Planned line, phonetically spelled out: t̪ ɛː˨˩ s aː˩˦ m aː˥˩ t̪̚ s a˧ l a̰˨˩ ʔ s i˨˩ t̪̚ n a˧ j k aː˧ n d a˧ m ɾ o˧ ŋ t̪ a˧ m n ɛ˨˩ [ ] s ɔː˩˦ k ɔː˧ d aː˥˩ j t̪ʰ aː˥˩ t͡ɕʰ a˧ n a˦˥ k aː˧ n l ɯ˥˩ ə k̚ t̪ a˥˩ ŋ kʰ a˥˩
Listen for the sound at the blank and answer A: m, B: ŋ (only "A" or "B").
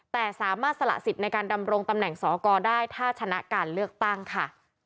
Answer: B